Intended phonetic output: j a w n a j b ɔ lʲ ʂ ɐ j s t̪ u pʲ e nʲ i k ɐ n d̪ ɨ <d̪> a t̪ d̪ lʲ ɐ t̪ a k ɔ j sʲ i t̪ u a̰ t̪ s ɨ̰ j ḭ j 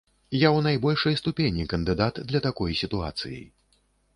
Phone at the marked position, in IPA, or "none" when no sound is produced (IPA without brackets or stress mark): d̪